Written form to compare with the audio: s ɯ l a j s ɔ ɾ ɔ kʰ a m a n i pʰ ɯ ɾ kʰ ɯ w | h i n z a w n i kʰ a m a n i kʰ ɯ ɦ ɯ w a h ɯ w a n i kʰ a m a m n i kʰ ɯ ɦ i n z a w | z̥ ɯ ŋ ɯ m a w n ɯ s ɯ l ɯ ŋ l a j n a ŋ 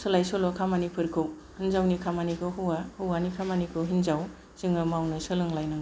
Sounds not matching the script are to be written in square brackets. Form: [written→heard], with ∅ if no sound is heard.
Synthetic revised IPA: s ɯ l a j s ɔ [ɾ→l] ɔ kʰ a m a n i pʰ ɯ ɾ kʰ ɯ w | h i n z a w n i kʰ a m a n i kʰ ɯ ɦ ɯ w a h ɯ w a n i kʰ a m a [m→∅] n i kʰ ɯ ɦ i n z a w | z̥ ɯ ŋ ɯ m a w n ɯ s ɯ l ɯ ŋ l a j n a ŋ